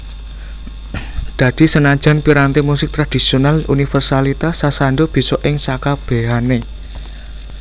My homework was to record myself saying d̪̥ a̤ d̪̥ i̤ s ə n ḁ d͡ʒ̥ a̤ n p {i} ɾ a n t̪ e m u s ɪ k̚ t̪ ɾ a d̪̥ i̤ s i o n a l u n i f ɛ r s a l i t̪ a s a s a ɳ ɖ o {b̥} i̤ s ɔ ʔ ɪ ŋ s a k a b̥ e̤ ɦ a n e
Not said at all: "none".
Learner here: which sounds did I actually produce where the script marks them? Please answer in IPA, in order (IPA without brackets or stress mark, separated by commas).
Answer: i, b̥